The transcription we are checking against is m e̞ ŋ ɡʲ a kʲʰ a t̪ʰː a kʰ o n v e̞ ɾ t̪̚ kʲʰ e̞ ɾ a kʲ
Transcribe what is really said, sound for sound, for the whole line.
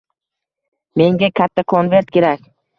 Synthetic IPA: m e̞ ŋ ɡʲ a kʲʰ a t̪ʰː a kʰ o n v e̞ ɾ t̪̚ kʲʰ e̞ ɾ a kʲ

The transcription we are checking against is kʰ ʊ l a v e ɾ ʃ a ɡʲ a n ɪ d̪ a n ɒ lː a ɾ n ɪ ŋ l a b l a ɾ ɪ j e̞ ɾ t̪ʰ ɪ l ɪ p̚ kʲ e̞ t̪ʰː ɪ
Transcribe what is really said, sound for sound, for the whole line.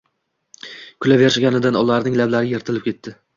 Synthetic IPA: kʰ ʊ l a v e ɾ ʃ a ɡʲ a n ɪ d̪ a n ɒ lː a ɾ n ɪ ŋ l a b l a ɾ ɪ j e̞ ɾ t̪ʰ ɪ l ɪ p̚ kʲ e̞ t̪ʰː ɪ

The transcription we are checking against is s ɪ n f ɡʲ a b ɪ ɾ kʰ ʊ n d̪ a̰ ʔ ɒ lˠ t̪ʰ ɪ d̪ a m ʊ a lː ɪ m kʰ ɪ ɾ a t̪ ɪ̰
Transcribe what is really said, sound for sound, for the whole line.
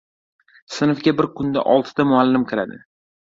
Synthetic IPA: s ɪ n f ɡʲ a b ɪ ɾ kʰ ʊ n d̪ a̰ ʔ ɒ lˠ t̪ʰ ɪ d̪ a m ʊ a lː ɪ m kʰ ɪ ɾ a d̪ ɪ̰

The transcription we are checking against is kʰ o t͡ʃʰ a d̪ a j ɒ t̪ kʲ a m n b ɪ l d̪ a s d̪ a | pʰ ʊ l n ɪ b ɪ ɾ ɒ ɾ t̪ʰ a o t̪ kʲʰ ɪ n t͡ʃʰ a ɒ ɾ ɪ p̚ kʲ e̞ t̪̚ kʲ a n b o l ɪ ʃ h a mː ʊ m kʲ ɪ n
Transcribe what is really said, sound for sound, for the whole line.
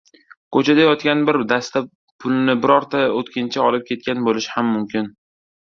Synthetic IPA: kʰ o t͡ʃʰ a d̪ a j ɒ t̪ kʲ a n b ɪ ɾ d̪ a s t̪ a | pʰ ʊ l n ɪ b ɪ ɾ ɒ ɾ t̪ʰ a o t̪ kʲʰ ɪ n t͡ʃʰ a ɒ l ɪ p̚ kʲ e̞ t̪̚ kʲ a n b o l ɪ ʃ h a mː ʊ m kʲ ɪ n

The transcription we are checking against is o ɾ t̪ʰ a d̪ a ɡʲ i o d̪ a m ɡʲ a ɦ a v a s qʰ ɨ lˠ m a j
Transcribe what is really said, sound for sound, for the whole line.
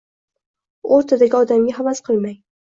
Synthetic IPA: o ɾ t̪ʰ a d̪ a ɡʲ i ɒ d̪ a m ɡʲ a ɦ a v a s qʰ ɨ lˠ m a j

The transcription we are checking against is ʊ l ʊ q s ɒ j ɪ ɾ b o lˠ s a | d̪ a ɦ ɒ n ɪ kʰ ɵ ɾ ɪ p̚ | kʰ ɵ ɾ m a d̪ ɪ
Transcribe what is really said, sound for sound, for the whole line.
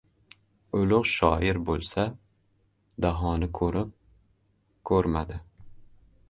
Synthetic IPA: ʊ l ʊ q ʃ ɒ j ɪ ɾ b o lˠ s a | d̪ a ɦ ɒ n ɪ kʰ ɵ ɾ ɪ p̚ | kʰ ɵ ɾ m a d̪ ɪ

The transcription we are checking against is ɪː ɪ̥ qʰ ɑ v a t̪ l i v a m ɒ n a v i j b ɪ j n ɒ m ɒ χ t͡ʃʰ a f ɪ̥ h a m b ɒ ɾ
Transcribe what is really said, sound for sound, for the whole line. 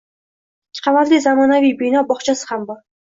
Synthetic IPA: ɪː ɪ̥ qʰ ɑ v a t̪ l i z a m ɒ n a v i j b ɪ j n ɒ b ɒ χ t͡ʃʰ a s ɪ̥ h a m b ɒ ɾ

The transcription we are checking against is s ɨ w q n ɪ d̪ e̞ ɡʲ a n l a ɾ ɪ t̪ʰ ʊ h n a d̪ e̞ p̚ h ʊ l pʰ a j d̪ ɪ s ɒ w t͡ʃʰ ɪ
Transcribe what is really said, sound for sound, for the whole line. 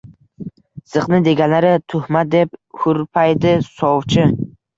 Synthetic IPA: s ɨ q n ɪ d̪ e̞ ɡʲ a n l a ɾ ɪ t̪ʰ ʊ h m a d̪ e̞ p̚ h ʊ ɾ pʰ a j d̪ ɪ s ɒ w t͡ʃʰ ɪ

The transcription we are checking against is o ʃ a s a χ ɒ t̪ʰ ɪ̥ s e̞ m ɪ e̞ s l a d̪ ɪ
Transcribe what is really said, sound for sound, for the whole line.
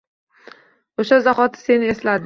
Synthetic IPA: o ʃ a z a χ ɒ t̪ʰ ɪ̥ s e̞ n ɪ e̞ s l a d̪ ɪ

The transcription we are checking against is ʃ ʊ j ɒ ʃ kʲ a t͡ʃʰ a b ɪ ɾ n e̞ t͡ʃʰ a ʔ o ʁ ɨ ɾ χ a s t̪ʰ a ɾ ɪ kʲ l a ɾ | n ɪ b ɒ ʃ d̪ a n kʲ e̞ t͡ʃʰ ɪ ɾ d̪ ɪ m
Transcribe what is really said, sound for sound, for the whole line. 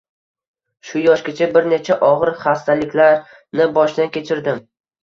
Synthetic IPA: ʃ ʊ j ɒ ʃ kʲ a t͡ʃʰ a b ɪ ɾ n e̞ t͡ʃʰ a ʔ ɒ ʁ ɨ ɾ χ a s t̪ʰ a l ɪ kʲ l a ɾ | n ɪ b ɒ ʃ d̪ a n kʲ e̞ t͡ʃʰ ɪ ɾ d̪ ɪ m

